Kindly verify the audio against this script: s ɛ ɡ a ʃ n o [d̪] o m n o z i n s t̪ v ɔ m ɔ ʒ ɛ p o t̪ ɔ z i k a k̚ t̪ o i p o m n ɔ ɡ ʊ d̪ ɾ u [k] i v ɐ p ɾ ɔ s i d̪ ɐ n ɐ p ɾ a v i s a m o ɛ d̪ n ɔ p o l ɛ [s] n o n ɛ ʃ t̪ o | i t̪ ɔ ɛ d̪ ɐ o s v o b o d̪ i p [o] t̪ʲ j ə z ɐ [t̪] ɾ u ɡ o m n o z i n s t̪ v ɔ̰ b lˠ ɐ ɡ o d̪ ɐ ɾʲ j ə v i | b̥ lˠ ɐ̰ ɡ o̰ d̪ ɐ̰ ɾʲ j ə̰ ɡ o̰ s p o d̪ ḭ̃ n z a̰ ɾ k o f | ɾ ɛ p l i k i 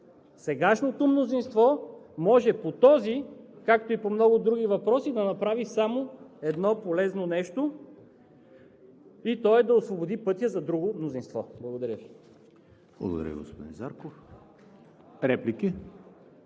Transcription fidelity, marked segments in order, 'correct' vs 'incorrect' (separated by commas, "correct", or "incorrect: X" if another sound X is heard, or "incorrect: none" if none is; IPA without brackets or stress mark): incorrect: t̪, incorrect: ɡ, incorrect: z, incorrect: ɤ, incorrect: d̪